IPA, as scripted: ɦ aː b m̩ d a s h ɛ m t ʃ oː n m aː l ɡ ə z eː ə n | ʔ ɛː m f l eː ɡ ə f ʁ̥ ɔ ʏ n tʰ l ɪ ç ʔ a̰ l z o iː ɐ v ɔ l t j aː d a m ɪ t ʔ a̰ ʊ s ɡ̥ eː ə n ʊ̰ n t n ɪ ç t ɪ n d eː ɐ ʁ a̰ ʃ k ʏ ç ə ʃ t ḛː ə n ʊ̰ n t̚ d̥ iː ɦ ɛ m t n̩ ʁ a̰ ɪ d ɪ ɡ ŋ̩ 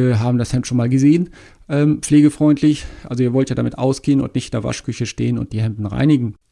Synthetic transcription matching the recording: ɦ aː b m̩ d a s h ɛ m t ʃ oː n m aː l ɡ ə z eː ə n | ʔ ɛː m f l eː ɡ ə f ʁ̥ ɔ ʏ n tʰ l ɪ ç ʔ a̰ l z o iː ɐ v ɔ l t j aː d a m ɪ t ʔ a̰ ʊ s ɡ̥ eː ə n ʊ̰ n t n ɪ ç t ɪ n d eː ɐ v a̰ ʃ k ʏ ç ə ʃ t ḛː ə n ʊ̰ n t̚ d̥ iː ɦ ɛ m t n̩ ʁ a̰ ɪ n ɪ ɡ ŋ̩

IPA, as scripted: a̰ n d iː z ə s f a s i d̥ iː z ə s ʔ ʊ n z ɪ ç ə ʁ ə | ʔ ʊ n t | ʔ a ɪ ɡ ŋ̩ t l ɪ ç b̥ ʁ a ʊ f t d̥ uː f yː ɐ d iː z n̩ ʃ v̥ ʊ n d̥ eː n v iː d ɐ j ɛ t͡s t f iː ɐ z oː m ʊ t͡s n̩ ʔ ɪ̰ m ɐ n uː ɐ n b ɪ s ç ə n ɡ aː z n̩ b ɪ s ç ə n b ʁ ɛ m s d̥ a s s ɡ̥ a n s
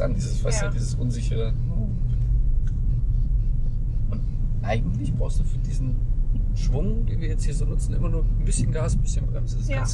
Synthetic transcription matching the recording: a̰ n d iː z ə s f a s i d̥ iː z ə s ʔ ʊ n z ɪ ç ə ʁ ə | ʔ ʊ n t | ʔ a ɪ ɡ ŋ̩ t l ɪ ç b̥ ʁ a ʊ s t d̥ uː f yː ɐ d iː z n̩ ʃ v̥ ʊ ŋ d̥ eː n v iː ɐ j ɛ t͡s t h iː ɐ z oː n ʊ t͡s n̩ ʔ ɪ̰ m ɐ n uː ɐ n b ɪ s ç ə n ɡ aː s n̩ b ɪ s ç ə n b ʁ ɛ m s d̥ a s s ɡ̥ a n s

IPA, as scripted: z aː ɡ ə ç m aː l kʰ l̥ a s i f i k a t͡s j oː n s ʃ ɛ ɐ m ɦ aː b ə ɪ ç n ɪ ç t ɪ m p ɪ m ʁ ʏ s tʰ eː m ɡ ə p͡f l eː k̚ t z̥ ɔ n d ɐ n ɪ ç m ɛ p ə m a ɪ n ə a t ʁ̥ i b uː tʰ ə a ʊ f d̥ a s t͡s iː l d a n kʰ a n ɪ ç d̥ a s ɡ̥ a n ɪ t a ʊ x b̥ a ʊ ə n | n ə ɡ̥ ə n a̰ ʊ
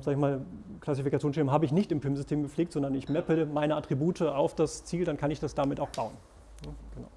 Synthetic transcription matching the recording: z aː ɡ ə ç m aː l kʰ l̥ a s i f i k a t͡s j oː n s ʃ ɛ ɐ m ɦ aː b ə ɪ ç n ɪ ç t ɪ m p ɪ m z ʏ s tʰ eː m ɡ ə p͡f l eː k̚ t z̥ ɔ n d ɐ n ɪ ç m ɛ p ə m a ɪ n ə a t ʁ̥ i b uː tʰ ə a ʊ f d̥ a s t͡s iː l d a n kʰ a n ɪ ç d̥ a s d̥ a m ɪ t a ʊ x b̥ a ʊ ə n | n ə ɡ̥ ə n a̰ ʊ

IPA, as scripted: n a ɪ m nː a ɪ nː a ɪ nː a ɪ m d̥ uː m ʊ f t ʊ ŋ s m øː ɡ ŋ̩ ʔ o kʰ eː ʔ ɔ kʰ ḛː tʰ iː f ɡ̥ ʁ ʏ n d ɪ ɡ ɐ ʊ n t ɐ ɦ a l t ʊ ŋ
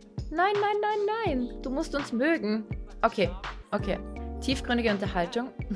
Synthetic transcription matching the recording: n a ɪ nː a ɪ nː a ɪ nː a ɪ n d̥ uː m ʊ s t ʊ n s m øː ɡ ŋ̩ ʔ o kʰ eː ʔ o kʰ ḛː tʰ iː f ɡ̥ ʁ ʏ n d ɪ ɡ ə ʊ n t ɐ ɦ a l t ʊ ŋ

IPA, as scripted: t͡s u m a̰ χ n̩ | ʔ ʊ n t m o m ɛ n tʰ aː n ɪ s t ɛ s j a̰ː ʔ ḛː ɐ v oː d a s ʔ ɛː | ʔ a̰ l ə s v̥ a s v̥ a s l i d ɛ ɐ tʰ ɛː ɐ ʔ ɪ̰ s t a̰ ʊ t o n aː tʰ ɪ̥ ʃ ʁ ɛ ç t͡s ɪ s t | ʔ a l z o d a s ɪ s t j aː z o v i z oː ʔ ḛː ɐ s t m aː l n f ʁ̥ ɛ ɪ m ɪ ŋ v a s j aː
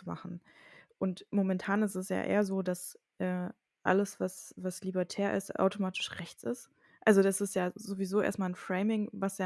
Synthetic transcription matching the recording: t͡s u m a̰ χ n̩ | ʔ ʊ n t m o m ɛ n tʰ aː n ɪ s t ɛ s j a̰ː ʔ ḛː ɐ z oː d a s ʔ ɛː | ʔ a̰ l ə s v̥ a s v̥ a s l i b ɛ ɐ tʰ ɛː ɐ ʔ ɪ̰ s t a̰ ʊ t o m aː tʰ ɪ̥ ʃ ʁ ɛ ç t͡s ɪ s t | ʔ a l z o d a s ɪ s t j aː z o v i z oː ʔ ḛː ɐ s t m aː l n f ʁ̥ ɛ ɪ m ɪ ŋ v a s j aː

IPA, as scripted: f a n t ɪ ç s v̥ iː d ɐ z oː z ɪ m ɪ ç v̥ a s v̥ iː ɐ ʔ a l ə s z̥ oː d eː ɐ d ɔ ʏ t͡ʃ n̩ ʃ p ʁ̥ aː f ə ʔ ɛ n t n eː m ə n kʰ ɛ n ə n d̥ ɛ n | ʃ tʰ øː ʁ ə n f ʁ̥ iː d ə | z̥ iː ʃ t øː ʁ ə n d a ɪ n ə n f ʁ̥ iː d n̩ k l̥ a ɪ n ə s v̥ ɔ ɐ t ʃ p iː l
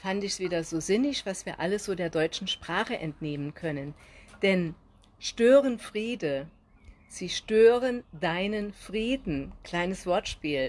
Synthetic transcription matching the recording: f a n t ɪ ç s v̥ iː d ɐ z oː z ɪ n ɪ ç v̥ a s v̥ iː ɐ ʔ a l ə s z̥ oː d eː ɐ d ɔ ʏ t͡ʃ n̩ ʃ p ʁ̥ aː χ ə ʔ ɛ n t n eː m ə n kʰ œ n ə n d̥ ɛ n | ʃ t øː ʁ ə n f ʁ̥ iː d ə | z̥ iː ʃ t øː ʁ ə n d a ɪ n ə n f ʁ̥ iː d n̩ k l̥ a ɪ n ə s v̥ ɔ ɐ t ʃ p iː l

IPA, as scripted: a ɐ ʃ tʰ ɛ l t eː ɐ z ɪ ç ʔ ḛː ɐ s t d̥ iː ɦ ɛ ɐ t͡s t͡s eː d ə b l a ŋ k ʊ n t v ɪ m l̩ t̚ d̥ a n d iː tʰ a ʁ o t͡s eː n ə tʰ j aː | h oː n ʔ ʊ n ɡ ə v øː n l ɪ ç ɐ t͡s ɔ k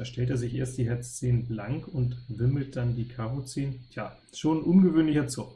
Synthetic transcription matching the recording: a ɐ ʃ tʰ ɛ l t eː ɐ z ɪ ç ʔ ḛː ɐ s t d̥ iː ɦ ɛ ɐ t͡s t͡s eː n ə b l a ŋ k ʊ n t v ɪ m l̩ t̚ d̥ a n d iː kʰ a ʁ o t͡s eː n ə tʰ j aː | ʃ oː n ʔ ʊ n ɡ ə v øː n l ɪ ç ɐ t͡s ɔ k

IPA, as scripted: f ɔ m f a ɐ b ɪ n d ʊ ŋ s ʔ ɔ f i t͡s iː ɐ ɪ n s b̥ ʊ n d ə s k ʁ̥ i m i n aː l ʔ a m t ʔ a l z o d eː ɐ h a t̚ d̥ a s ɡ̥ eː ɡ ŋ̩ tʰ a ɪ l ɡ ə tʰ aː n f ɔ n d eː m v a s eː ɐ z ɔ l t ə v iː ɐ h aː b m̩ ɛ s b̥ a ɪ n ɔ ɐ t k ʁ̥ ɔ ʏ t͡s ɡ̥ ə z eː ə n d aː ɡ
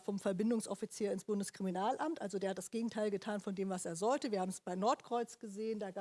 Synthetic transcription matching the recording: f ɔ m f ɛ ɐ b ɪ n d ʊ ŋ s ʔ ɔ f i t͡s iː ɐ ɪ n s b̥ ʊ n d ə s k ʁ̥ i m i n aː l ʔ a m t ʔ a l z o d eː ɐ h a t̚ d̥ a s ɡ̥ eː ɡ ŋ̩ tʰ a ɪ l ɡ ə tʰ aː n f ɔ n d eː m v a s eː ɐ z ɔ l t ə v iː ɐ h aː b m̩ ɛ s b̥ a ɪ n ɔ ɐ t k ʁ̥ ɔ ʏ t͡s ɡ̥ ə z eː ə n d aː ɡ

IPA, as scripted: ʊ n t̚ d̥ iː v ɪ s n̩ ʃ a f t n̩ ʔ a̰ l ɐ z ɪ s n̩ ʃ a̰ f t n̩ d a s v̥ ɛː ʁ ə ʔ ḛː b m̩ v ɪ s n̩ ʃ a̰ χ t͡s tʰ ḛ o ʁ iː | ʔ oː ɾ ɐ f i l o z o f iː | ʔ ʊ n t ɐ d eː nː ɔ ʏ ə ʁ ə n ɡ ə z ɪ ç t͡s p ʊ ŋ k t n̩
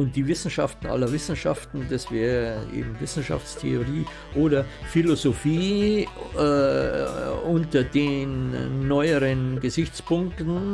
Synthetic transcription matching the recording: ʊ n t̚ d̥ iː v ɪ s n̩ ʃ a f t n̩ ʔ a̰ l ɐ v ɪ s n̩ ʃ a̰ f t n̩ d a s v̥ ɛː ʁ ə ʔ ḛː b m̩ v ɪ s n̩ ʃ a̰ f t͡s tʰ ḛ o ʁ iː | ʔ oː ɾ ɐ f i l o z o f iː | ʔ ʊ n t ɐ d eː nː ɔ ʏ ə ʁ ə n ɡ ə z ɪ ç t͡s p ʊ ŋ k t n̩

